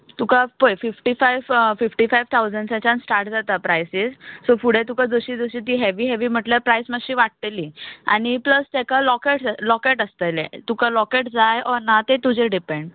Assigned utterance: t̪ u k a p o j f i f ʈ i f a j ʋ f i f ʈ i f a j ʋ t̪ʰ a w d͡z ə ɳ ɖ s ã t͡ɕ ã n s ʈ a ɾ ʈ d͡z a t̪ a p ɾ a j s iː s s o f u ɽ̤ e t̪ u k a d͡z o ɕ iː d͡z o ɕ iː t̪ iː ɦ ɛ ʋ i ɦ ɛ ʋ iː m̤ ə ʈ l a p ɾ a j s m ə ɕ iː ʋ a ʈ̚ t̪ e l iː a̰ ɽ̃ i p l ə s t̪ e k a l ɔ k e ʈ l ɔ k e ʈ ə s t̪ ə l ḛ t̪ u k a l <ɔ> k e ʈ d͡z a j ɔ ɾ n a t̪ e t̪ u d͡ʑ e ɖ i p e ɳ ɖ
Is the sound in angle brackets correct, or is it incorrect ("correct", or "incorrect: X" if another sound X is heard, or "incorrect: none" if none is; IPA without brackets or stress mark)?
correct